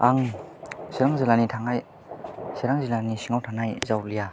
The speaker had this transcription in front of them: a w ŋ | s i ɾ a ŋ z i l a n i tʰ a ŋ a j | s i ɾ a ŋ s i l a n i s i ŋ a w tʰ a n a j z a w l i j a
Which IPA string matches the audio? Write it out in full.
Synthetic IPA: a ŋ | s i ɾ a ŋ z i l a n i tʰ a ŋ a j | s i ɾ a ŋ z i l a n i s i ŋ a w tʰ a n a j z a w l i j a